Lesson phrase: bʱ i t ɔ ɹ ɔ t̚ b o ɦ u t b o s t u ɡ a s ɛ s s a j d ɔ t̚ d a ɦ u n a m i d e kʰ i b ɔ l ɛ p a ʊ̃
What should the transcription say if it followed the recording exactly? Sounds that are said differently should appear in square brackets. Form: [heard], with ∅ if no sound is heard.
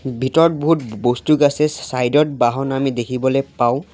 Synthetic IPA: bʱ i t ɔ ɹ ɔ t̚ b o ɦ u t b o s t u ɡ a s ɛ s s a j d ɔ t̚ [b] a ɦ [ɔ] n a m i d e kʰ i b ɔ l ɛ p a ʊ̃